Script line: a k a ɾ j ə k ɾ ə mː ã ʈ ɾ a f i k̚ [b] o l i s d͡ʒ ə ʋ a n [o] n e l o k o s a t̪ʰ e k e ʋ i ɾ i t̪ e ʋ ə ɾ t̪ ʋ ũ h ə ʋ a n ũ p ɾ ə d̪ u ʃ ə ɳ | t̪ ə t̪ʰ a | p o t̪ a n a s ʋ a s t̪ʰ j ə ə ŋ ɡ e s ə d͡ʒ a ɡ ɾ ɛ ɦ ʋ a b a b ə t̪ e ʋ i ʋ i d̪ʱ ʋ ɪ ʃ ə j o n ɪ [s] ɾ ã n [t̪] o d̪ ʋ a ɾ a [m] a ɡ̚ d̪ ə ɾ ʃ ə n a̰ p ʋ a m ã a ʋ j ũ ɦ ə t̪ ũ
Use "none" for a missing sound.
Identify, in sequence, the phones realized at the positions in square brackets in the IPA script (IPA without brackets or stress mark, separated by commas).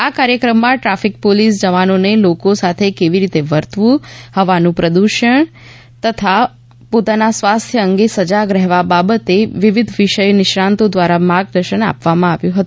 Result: p, o, ʃ, t̪, m